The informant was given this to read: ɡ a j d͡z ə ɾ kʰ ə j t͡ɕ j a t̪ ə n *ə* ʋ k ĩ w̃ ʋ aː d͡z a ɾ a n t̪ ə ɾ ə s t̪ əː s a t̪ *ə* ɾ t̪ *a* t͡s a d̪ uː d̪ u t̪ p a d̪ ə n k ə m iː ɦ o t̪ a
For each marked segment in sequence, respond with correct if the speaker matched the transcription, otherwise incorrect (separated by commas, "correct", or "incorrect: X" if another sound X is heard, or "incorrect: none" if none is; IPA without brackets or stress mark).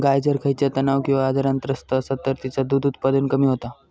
incorrect: a, correct, incorrect: i